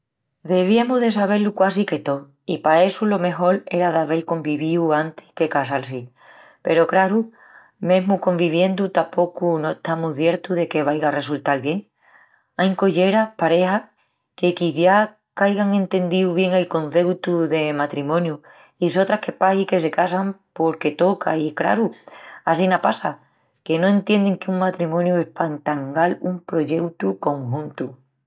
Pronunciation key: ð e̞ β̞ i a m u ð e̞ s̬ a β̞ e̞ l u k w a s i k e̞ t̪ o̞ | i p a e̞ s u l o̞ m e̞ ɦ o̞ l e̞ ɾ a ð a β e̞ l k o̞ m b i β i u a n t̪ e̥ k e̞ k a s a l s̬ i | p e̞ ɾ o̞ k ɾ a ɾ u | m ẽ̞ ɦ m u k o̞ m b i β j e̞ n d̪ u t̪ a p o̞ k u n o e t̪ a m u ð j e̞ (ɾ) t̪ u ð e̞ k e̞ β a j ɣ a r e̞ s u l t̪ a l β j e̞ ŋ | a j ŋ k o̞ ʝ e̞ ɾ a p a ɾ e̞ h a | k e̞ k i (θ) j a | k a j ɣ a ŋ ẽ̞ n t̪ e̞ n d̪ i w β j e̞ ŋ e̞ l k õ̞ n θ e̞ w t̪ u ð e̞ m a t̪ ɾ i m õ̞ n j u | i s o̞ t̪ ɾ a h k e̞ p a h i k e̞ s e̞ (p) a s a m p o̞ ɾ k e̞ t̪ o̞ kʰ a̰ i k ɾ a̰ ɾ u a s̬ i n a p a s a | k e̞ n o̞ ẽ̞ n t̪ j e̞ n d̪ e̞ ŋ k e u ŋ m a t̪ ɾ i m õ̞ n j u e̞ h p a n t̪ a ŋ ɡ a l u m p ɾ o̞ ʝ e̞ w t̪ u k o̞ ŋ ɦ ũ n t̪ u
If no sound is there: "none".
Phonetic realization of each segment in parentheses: ɾ, θ, k

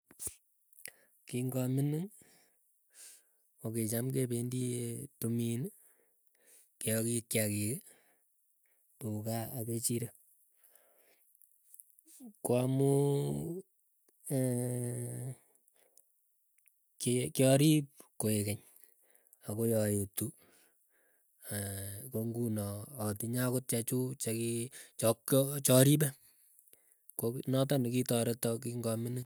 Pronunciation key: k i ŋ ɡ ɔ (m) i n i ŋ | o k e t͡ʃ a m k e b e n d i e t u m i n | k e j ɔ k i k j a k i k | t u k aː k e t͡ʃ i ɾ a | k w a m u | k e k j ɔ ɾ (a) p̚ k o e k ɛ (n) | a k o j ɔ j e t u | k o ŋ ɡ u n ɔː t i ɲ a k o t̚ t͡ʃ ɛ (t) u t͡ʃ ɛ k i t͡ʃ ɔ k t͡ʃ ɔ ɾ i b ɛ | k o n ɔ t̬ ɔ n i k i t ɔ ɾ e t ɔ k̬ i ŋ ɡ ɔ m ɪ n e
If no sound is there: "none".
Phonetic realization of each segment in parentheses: m, i, ɲ, t͡ʃ

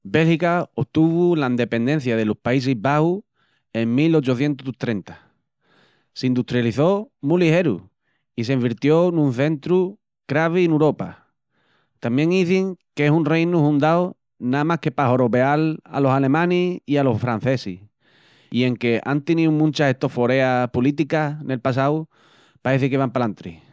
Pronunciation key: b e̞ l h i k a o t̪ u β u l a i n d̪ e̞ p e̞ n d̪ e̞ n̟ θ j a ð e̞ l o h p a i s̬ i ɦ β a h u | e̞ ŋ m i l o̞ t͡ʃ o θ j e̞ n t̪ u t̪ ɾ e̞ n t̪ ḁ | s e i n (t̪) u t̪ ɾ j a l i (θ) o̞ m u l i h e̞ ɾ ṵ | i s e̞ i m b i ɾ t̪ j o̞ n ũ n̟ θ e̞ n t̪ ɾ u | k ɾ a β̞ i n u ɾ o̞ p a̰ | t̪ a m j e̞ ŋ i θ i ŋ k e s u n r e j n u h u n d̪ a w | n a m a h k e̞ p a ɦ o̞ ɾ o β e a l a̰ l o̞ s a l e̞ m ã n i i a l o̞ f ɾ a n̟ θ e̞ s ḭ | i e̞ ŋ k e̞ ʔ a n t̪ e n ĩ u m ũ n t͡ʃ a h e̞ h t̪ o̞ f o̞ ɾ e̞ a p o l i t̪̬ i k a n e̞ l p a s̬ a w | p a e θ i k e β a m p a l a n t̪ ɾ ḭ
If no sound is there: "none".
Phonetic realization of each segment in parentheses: d̪, θ

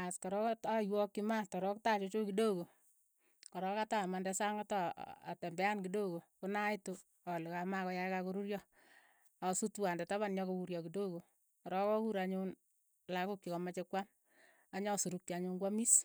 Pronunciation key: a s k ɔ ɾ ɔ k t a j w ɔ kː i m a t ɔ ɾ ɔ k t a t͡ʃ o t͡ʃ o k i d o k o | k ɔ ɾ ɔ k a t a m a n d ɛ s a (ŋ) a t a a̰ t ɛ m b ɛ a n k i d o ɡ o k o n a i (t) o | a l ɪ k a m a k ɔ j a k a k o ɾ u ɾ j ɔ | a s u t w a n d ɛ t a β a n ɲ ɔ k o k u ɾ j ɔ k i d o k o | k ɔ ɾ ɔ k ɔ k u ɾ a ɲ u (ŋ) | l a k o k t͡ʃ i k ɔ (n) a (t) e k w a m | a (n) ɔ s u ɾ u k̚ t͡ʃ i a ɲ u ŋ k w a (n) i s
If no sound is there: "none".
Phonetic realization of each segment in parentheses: ŋ, t, n, m, t͡ʃ, ɲ, m

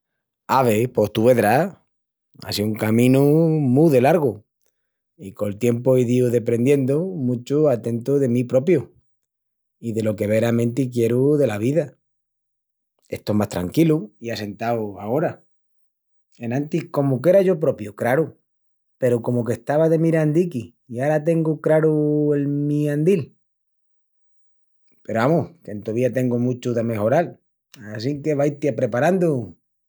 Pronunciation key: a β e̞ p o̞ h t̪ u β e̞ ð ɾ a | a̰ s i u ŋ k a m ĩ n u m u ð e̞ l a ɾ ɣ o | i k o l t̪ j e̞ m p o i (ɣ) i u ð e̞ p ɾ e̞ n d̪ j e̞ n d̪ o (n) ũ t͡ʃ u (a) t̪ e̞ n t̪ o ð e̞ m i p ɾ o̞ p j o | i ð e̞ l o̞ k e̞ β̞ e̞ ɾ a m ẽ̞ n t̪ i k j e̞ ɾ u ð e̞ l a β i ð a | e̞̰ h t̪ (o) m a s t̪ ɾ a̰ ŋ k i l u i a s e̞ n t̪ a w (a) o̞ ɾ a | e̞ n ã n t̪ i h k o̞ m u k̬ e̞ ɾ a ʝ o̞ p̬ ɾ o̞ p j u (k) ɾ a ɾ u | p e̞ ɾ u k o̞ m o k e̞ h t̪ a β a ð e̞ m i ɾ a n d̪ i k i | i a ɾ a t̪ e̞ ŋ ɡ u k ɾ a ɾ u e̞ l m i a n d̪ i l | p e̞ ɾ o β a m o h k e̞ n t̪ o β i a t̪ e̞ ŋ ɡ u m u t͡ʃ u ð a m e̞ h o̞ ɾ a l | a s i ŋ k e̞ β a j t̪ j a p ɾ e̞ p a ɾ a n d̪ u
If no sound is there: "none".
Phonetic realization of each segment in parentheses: ð, m, a, o, a, k

